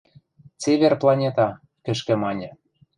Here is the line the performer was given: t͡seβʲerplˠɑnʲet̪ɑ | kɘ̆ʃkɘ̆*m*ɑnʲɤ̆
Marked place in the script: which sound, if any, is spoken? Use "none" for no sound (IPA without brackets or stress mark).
m